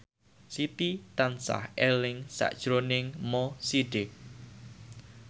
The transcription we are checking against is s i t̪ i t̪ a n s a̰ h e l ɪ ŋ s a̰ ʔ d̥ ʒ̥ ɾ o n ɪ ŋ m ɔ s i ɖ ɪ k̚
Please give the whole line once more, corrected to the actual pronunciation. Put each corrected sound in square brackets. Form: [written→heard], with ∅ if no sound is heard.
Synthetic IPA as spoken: s i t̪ i t̪ a n s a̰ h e l ɪ ŋ s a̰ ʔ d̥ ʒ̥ ɾ o n ɪ ŋ m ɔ s i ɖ ɪ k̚